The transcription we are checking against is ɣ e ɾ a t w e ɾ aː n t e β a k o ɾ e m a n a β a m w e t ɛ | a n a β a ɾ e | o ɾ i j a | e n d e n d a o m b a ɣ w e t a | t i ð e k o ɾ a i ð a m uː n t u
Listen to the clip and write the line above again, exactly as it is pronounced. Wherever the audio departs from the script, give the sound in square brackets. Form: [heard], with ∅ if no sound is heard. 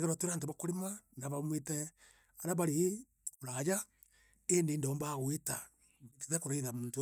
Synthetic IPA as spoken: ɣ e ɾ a t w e ɾ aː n t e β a k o ɾ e m a n a β a m w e t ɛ | a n a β a ɾ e | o ɾ [a] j a | e n d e n d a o m b a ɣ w e t a | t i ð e k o ɾ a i ð a m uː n t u